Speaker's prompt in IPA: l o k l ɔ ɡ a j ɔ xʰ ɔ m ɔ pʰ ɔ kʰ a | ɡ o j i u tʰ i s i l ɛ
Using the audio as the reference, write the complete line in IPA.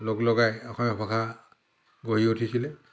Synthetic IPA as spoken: l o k l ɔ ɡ a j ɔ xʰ ɔ m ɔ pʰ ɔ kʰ a | ɡ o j i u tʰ i s i l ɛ